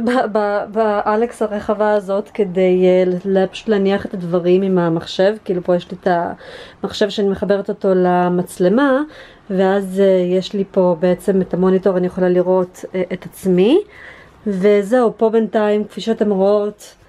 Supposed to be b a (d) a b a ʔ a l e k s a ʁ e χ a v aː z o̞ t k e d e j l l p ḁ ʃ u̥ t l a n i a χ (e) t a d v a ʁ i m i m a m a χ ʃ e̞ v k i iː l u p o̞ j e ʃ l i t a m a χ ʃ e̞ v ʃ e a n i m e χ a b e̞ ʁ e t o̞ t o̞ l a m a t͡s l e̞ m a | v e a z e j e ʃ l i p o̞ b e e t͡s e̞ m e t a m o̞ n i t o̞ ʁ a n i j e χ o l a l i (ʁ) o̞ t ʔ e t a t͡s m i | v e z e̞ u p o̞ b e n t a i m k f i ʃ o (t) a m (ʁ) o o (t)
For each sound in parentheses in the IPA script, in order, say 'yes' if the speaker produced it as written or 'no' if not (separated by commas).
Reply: no, yes, yes, yes, yes, yes